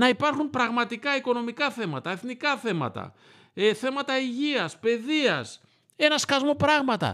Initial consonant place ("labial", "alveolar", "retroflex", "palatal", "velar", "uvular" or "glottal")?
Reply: alveolar